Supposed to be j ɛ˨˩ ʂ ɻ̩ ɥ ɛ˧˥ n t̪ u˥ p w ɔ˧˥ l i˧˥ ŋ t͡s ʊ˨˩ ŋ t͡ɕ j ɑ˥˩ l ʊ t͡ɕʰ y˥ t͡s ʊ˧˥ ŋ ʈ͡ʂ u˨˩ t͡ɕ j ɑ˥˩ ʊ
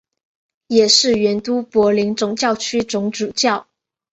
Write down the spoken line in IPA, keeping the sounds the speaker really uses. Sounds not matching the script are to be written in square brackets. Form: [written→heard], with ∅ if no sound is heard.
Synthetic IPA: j ɛ˨˩ ʂ ɻ̩ ɥ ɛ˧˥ n t̪ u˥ p w ɔ˧˥ l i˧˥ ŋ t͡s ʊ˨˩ ŋ t͡ɕ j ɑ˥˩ [l→∅] ʊ t͡ɕʰ y˥ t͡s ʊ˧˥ ŋ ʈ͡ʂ u˨˩ t͡ɕ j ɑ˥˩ ʊ

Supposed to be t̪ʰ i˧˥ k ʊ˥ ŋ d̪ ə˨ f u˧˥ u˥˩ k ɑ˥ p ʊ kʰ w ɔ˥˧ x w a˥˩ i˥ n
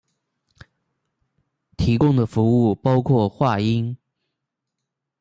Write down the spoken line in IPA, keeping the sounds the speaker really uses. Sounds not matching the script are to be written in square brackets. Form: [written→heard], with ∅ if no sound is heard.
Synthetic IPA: t̪ʰ i˧˥ k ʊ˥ ŋ d̪ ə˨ f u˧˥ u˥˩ [k→p] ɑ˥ [p→∅] ʊ kʰ w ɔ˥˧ x w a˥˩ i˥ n

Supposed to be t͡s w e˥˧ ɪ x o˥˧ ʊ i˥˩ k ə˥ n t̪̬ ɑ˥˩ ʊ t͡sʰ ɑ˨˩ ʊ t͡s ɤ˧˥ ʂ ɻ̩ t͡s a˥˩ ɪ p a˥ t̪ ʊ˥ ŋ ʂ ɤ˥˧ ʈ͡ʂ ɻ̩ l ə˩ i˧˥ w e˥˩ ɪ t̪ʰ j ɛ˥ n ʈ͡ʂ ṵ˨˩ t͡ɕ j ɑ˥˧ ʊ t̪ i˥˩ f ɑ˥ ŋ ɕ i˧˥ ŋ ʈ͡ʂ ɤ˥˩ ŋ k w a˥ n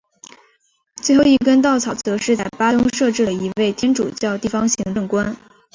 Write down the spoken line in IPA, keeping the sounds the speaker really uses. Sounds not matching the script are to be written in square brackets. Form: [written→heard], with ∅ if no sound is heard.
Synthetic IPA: t͡s w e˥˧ ɪ x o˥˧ ʊ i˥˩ k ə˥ n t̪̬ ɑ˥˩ ʊ t͡sʰ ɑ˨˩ ʊ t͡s ɤ˧˥ ʂ ɻ̩ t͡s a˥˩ ɪ p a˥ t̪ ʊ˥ ŋ ʂ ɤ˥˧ ʈ͡ʂ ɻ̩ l ə˩ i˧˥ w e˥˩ ɪ t̪ʰ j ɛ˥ n ʈ͡ʂ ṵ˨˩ t͡ɕ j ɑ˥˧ ʊ t̪ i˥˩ f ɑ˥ ŋ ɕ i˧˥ ŋ ʈ͡ʂ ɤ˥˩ ŋ k w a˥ n

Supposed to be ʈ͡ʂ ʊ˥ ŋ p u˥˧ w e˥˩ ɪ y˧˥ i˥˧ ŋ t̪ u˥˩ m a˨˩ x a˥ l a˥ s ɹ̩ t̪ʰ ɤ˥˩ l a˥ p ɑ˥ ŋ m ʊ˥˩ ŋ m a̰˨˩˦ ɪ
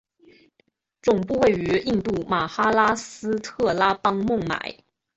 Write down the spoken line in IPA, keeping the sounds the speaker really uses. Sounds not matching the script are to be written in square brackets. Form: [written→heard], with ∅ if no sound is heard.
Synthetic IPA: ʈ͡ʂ [ʊ˥→ʊ˨˩] ŋ p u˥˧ w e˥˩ ɪ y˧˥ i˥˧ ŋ t̪ u˥˩ m a˨˩ x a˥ l a˥ s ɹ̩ t̪ʰ ɤ˥˩ l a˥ p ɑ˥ ŋ m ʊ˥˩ ŋ m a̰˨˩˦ ɪ

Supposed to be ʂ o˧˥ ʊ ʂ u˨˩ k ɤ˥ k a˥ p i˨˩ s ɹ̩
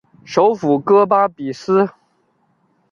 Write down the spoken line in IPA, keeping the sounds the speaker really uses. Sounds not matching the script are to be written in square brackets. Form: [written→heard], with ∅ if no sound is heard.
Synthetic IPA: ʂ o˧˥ ʊ [ʂ→f] u˨˩ k ɤ˥ [k→p] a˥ p i˨˩ s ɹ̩

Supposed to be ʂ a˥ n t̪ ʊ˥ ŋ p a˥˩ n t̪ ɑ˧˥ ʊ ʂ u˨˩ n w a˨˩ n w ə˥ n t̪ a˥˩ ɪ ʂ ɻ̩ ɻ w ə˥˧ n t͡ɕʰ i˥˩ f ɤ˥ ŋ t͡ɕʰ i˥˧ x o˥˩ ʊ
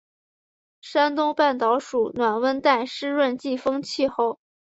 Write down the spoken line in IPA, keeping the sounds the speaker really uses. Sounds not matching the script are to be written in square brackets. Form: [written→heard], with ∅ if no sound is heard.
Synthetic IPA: ʂ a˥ n t̪ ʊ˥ ŋ p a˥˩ n t̪ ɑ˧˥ ʊ ʂ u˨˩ n w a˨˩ n w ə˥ n t̪ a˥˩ ɪ ʂ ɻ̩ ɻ w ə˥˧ n [t͡ɕʰ→t͡ɕ] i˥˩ f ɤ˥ ŋ t͡ɕʰ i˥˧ x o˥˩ ʊ

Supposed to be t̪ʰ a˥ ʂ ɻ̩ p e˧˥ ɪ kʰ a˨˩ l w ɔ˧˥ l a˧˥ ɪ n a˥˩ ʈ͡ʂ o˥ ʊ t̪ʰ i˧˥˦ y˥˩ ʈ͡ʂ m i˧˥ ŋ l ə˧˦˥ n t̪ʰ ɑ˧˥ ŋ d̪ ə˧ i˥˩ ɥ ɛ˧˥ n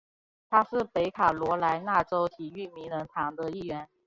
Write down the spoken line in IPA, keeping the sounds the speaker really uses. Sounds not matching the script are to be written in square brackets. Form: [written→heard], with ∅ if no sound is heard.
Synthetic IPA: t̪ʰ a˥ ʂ ɻ̩ p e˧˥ ɪ kʰ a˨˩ l w ɔ˧˥ l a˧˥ ɪ n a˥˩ ʈ͡ʂ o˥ ʊ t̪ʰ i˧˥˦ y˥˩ [ʈ͡ʂ→∅] m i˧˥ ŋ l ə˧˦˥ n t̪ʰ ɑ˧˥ ŋ d̪ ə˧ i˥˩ ɥ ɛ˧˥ n

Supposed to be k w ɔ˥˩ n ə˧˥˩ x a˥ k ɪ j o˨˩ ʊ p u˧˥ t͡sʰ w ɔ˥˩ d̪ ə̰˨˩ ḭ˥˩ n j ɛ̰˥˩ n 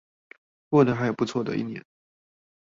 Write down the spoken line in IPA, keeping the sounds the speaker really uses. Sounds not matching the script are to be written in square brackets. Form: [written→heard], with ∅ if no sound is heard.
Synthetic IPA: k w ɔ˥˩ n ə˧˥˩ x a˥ [k→∅] ɪ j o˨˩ ʊ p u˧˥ t͡sʰ w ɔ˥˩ d̪ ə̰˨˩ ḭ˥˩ n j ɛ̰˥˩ n

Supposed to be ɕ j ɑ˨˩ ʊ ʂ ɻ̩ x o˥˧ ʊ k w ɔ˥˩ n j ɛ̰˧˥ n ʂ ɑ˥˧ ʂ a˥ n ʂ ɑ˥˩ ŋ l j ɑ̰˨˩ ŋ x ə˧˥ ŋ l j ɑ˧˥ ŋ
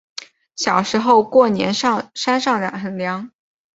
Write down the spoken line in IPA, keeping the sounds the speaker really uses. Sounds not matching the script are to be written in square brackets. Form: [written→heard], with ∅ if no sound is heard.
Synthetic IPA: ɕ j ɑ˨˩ ʊ ʂ ɻ̩ x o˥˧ ʊ k w ɔ˥˩ n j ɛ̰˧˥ n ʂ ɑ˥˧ ʂ a˥ n ʂ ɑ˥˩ ŋ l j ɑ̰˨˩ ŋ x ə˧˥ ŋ l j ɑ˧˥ ŋ

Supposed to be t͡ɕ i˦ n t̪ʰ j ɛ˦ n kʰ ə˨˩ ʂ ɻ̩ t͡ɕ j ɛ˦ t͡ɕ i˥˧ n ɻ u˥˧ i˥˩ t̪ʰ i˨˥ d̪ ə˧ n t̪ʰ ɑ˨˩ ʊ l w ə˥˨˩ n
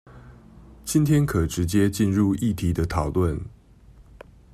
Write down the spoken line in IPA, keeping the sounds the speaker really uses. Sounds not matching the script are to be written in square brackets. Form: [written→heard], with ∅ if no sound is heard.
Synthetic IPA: t͡ɕ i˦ n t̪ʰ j ɛ˦ n kʰ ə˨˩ [ʂ→ʈ͡ʂ] ɻ̩ t͡ɕ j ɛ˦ t͡ɕ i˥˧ n ɻ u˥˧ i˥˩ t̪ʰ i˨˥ d̪ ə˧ [n→∅] t̪ʰ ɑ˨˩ ʊ l w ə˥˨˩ n

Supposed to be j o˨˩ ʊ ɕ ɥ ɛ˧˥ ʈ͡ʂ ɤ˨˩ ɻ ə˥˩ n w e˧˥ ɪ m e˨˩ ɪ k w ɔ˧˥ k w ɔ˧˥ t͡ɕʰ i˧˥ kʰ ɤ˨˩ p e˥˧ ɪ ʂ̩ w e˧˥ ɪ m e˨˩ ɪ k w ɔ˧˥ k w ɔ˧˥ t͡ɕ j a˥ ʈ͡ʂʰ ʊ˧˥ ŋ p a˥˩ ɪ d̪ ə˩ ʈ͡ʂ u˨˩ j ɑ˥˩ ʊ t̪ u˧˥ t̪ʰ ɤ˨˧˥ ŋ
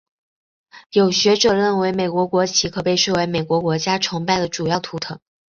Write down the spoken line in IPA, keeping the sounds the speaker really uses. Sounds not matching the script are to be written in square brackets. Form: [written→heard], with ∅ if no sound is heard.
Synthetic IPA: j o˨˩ ʊ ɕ ɥ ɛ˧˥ ʈ͡ʂ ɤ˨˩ ɻ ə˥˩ n w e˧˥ ɪ m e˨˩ ɪ k w ɔ˧˥ k w ɔ˧˥ t͡ɕʰ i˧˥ kʰ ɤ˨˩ p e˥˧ ɪ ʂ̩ w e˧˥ ɪ m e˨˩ ɪ k w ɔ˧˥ k w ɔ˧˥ t͡ɕ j a˥ ʈ͡ʂʰ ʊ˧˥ ŋ p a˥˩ ɪ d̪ ə˩ ʈ͡ʂ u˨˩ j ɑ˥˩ ʊ [t̪→t̪ʰ] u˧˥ t̪ʰ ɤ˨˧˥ ŋ

